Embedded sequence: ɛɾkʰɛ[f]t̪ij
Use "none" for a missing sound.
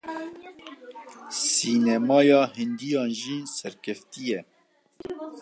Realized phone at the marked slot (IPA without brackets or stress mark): f